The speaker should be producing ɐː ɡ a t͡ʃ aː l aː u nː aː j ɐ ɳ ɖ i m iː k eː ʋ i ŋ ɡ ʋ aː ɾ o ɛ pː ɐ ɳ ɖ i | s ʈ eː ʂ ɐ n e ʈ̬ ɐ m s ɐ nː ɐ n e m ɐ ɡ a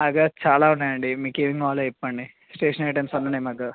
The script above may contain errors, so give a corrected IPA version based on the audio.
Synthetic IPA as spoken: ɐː ɡ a t͡ʃ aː l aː u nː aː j ɐ ɳ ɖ i m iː k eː ʋ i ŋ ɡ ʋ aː l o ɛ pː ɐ ɳ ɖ i | s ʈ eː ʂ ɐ n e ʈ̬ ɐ m s ɐ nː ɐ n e m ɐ ɡ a

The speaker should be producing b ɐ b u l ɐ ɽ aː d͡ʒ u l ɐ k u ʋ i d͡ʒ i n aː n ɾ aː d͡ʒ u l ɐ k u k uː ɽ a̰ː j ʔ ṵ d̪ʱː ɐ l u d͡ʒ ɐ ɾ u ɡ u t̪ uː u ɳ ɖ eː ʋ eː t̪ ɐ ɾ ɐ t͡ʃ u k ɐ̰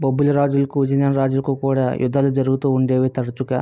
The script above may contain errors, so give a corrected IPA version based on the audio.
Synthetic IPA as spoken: b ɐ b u l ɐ ɾ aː d͡ʒ u l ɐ k u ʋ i d͡ʒ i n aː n ɾ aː d͡ʒ u l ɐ k u k uː ɽ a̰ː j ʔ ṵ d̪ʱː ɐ l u d͡ʒ ɐ ɾ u ɡ u t̪ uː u ɳ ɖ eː ʋ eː t̪ ɐ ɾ ɐ t͡ʃ u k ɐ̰

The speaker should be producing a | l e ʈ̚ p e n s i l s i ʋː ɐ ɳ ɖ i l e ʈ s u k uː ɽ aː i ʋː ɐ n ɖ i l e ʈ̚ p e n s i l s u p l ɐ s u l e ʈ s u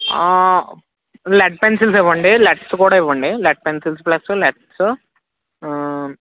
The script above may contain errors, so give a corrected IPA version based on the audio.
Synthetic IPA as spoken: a | l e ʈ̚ p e n s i l s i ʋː ɐ ɳ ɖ i l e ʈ s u k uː ɽ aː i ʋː ɐ ɳ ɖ i l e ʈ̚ p e n s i l s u p l ɐ s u l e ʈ s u

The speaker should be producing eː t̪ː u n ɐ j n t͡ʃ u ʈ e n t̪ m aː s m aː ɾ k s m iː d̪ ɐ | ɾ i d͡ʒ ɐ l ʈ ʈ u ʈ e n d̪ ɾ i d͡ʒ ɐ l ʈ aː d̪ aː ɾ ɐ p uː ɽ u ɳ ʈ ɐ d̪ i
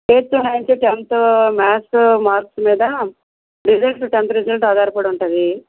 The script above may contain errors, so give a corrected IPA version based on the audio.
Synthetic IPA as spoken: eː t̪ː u n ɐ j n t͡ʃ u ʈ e n t̪ m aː s m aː ɾ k s m iː d̪ ɐ | ɾ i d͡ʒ ɐ l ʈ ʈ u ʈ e n t̪ ɾ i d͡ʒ ɐ l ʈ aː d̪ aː ɾ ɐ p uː ɽ u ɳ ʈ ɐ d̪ i

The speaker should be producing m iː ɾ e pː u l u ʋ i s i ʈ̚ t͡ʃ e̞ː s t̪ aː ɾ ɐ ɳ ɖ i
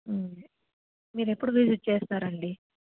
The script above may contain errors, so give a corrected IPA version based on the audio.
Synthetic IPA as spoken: m iː ɾ e pː u ɽ u ʋ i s i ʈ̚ t͡ʃ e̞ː s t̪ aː ɾ ɐ ɳ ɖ i

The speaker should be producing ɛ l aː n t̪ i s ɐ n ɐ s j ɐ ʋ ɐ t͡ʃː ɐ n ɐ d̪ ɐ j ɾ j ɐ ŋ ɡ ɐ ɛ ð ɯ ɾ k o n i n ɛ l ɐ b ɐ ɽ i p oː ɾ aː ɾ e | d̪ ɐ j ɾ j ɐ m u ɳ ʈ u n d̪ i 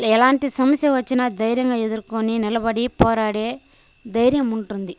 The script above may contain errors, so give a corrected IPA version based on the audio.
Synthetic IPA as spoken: ɛ l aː n t̪ i s ɐ m ɐ s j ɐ ʋ ɐ t͡ʃː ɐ n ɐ d̪ ɐ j ɾ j ɐ ŋ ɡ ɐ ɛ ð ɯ ɾ k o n i n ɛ l ɐ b ɐ ɽ i p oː ɾ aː ɽ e | d̪ ɐ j ɾ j ɐ m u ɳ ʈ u n d̪ i

